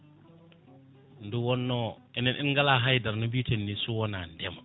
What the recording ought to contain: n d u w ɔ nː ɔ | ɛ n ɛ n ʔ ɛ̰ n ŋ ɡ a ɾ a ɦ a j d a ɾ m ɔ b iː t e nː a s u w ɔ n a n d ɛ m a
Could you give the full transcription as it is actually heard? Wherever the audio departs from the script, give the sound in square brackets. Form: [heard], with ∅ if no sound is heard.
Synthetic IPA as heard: n d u w ɔ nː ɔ | ɛ n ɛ n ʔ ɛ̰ n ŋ ɡ a [l] a ɦ a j d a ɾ [n] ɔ b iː t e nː [i] s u w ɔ n a n d ɛ m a